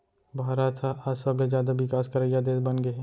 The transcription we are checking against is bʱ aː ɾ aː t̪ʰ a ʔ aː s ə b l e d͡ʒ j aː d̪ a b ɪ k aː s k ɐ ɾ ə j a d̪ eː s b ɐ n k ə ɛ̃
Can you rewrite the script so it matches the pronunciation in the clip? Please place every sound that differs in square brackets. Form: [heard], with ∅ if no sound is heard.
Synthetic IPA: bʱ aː ɾ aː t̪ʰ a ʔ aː s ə b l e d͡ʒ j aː d̪ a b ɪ k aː s k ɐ ɾ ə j a d̪ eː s b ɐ n [ɡ] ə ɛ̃

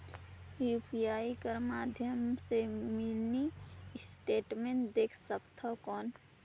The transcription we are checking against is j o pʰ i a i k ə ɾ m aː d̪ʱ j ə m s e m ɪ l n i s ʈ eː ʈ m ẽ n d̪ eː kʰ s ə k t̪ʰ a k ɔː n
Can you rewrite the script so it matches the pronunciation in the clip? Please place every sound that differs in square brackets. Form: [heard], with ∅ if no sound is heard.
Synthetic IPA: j [u] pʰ i a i k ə ɾ m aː d̪ʱ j ə m s e m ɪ l n i s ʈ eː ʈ m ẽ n d̪ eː kʰ s ə k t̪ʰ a k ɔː n

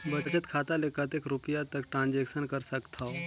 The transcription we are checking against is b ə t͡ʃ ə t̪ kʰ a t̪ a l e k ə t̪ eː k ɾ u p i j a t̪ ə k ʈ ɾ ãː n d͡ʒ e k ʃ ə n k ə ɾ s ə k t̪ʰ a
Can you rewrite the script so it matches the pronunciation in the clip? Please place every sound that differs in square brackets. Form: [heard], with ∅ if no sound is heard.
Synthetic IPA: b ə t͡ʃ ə t̪ kʰ a t̪ a l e k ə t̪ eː k ɾ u p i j a t̪ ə k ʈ ɾ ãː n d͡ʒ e k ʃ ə n k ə ɾ s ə k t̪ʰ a

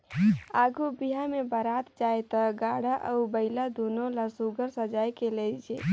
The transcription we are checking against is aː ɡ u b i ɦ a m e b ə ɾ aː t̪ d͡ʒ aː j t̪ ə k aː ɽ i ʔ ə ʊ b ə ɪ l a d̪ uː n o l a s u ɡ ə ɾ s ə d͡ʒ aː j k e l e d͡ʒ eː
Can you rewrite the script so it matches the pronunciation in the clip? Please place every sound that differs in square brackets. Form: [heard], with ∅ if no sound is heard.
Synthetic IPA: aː ɡ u b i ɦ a m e b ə ɾ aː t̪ d͡ʒ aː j t̪ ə [ɡ] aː ɽ [a] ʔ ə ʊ b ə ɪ l a d̪ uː n o l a s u ɡ ə ɾ s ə d͡ʒ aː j k e l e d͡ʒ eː

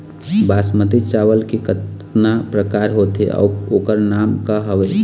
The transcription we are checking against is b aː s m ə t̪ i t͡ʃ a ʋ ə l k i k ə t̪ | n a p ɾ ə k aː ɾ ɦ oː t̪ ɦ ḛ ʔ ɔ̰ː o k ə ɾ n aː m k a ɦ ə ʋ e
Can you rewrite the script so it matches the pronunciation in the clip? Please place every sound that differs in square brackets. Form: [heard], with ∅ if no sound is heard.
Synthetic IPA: b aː s m ə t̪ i t͡ʃ a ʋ ə l k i k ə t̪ | n a p ɾ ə k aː ɾ ɦ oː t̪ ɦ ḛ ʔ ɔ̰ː o k ə ɾ n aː m k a ɦ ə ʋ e

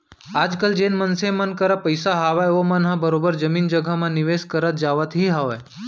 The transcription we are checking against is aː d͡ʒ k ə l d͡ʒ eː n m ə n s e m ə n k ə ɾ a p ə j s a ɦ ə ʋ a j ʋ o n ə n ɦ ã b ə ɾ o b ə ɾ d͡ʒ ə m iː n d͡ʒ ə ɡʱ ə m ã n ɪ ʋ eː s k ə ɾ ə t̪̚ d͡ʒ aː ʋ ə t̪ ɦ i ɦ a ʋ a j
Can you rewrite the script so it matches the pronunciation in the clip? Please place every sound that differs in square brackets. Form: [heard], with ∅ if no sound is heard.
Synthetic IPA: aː d͡ʒ k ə l d͡ʒ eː n m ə n s e m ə n k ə ɾ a p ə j s a ɦ [a] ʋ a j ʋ o [m] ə n ɦ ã b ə ɾ o b ə ɾ d͡ʒ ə m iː n d͡ʒ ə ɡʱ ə m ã n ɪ ʋ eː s k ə ɾ ə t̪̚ d͡ʒ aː ʋ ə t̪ ɦ i ɦ a ʋ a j

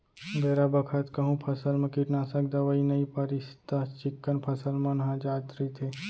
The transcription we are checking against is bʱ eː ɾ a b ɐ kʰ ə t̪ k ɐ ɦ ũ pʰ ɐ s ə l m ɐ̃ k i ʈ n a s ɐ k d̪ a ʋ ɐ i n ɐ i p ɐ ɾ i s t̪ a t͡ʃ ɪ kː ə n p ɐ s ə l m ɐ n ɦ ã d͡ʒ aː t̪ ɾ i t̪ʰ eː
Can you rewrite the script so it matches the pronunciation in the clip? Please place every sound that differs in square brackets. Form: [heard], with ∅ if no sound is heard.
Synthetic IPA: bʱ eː ɾ a b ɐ kʰ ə t̪ k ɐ ɦ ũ pʰ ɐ s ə l m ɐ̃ k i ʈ n a s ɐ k d̪ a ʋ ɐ i n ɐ i p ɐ ɾ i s t̪ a t͡ʃ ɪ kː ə n [pʰ] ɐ s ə l m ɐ n ɦ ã d͡ʒ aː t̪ ɾ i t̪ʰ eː

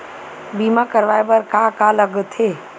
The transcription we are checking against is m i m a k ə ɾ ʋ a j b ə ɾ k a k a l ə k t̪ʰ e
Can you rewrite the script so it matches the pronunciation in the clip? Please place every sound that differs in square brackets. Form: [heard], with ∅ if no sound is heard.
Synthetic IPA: [b] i m a k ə ɾ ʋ a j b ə ɾ k a k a l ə [ɡ] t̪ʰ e

